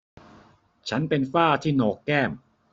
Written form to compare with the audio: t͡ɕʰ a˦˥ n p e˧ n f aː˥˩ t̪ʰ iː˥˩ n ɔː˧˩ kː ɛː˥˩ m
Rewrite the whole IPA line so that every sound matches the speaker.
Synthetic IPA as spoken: t͡ɕʰ a˦˥ n p e˧ n f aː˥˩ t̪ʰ iː˥˩ n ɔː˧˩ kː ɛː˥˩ m

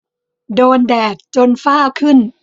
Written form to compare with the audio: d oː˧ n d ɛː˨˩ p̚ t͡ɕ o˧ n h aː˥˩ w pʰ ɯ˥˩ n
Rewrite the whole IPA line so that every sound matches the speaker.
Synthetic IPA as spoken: d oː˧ n d ɛː˨˩ k̚ t͡ɕ o˧ n f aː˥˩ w kʰ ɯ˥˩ n

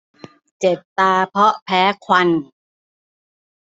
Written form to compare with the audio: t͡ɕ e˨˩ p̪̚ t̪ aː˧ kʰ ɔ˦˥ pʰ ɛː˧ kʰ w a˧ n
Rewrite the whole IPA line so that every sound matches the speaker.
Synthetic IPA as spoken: t͡ɕ e˨˩ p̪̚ t̪ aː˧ pʰ ɔ˦˥ pʰ ɛː˦˥ kʰ w a˧ n

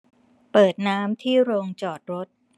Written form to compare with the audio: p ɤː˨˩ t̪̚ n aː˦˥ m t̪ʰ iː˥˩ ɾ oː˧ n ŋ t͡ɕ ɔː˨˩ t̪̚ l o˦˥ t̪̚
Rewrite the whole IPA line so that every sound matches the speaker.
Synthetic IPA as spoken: p ɤː˨˩ t̪̚ n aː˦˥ m t̪ʰ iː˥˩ ɾ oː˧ ŋ t͡ɕ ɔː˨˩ t̪̚ ɾ o˦˥ t̪̚

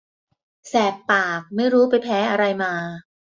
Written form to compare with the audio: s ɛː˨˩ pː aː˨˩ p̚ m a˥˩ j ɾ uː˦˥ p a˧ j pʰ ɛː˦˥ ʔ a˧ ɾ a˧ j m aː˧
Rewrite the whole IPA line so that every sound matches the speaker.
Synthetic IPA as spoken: s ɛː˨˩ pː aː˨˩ k̚ m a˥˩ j ɾ uː˦˥ p a˧ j pʰ ɛː˦˥ ʔ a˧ ɾ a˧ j m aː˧

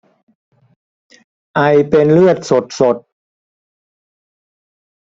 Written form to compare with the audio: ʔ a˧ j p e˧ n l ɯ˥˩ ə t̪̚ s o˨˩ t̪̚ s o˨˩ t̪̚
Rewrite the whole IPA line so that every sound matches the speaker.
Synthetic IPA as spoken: ʔ a˧ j p e˧ n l ɯ˥˩ ə t̪̚ s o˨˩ t̪̚ s o˨˩ t̪̚

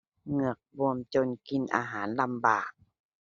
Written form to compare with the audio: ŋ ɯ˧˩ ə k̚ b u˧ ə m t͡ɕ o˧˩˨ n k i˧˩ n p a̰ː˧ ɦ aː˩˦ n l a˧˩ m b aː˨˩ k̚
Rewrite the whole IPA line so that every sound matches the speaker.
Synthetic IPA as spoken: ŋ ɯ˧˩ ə k̚ b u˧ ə m t͡ɕ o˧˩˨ n k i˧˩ n ʔ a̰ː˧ ɦ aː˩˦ n l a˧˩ m b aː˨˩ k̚

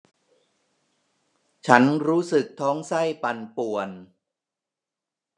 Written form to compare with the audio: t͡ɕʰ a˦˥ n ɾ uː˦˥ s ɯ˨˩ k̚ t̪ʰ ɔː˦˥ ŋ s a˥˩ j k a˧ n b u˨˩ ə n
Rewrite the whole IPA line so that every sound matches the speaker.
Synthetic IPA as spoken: t͡ɕʰ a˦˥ n ɾ uː˦˥ s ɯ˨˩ k̚ t̪ʰ ɔː˦˥ ŋ s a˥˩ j p a˧ n p u˨˩ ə n

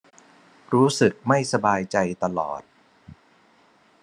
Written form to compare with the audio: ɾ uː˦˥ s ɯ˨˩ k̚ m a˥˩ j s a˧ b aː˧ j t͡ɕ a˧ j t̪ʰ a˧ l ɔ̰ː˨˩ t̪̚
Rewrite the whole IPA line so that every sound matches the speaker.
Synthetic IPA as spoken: ɾ uː˦˥ s ɯ˨˩ k̚ m a˥˩ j s a˧ b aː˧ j t͡ɕ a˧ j t̪ a˧ l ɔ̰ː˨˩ t̪̚

